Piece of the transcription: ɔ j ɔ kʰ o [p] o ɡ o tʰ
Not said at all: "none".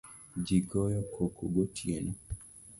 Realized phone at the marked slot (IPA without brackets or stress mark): k